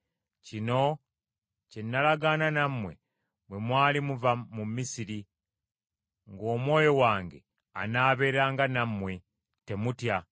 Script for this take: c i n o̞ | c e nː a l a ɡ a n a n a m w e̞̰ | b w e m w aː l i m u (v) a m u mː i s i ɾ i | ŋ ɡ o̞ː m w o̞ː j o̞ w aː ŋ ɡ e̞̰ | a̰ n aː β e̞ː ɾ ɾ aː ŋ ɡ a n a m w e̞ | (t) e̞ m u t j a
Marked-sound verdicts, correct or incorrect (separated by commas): correct, correct